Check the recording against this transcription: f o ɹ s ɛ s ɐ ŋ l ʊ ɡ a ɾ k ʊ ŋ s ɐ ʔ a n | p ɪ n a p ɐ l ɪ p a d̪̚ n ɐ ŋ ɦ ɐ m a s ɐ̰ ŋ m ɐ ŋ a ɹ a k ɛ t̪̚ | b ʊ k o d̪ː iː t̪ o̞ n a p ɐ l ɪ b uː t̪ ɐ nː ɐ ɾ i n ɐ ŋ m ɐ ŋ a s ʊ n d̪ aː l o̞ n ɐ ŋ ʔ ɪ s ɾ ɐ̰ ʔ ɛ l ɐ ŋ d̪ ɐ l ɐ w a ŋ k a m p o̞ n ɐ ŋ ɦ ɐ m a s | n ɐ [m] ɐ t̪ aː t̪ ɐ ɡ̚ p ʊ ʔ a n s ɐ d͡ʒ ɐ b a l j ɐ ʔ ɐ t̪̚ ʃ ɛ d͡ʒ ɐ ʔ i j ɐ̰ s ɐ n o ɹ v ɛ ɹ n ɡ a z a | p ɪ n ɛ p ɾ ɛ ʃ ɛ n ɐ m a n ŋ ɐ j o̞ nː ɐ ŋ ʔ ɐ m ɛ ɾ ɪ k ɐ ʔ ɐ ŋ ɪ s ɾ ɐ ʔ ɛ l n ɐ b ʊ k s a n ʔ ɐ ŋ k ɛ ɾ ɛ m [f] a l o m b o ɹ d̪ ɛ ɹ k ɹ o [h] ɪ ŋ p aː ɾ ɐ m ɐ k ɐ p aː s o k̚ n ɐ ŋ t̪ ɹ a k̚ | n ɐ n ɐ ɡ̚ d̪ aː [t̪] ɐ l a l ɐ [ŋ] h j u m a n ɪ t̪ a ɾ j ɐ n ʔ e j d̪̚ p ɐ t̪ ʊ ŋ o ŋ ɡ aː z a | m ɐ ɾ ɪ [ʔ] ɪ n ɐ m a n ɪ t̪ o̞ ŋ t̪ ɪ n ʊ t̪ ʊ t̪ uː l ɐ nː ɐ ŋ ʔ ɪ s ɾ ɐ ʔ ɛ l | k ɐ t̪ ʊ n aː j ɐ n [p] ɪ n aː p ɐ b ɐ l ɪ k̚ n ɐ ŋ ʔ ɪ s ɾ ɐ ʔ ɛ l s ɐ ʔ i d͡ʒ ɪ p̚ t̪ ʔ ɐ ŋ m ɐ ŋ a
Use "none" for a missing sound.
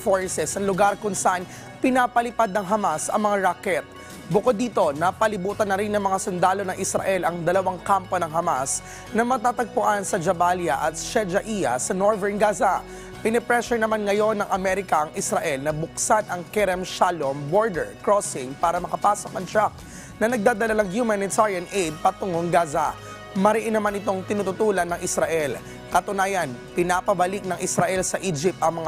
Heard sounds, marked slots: m, ʃ, s, d̪, ŋ, ʔ, p

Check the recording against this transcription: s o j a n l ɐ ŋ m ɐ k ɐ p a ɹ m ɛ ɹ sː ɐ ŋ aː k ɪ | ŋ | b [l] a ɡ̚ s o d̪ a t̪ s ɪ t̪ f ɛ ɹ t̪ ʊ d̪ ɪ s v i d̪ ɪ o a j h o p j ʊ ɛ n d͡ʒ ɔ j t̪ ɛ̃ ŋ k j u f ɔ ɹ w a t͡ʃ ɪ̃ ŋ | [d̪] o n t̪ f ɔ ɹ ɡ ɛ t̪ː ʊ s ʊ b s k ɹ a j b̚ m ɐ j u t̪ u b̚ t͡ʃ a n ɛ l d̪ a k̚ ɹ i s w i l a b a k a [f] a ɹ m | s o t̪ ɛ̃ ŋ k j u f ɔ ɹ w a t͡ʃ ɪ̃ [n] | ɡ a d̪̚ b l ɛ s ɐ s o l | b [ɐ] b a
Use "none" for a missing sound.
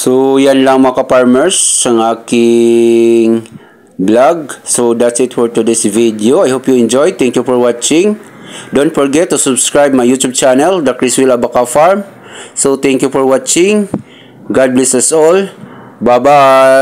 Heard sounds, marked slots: l, d̪, f, ŋ, a

